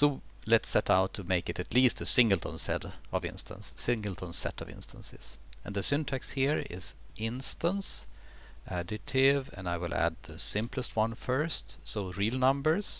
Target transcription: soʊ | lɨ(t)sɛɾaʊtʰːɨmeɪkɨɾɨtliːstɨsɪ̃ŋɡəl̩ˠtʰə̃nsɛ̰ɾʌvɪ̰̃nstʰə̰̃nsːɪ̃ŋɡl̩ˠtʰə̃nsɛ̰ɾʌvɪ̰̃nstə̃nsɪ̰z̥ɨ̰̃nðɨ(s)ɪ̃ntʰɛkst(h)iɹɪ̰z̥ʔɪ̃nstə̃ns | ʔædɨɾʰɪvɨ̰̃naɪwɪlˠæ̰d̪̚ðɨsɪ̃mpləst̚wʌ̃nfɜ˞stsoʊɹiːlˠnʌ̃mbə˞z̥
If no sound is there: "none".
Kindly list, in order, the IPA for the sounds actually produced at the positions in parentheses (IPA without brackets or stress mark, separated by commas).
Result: t, s, h